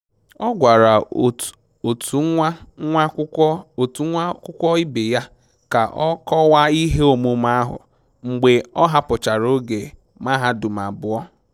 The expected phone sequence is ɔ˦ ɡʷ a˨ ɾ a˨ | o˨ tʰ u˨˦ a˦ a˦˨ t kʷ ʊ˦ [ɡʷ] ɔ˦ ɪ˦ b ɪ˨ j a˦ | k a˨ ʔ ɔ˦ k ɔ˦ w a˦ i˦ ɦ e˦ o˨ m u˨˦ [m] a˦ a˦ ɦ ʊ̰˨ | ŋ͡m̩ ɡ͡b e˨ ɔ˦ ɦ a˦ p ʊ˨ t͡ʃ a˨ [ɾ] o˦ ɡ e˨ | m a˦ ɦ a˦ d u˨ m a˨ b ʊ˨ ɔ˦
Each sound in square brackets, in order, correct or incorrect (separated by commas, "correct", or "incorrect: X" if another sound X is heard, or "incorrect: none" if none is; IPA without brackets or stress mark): incorrect: kʷ, correct, correct